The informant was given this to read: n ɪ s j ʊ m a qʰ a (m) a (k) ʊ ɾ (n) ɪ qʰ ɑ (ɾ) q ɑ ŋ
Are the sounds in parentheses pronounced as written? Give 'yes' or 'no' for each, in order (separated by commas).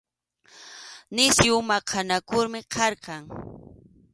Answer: no, yes, no, yes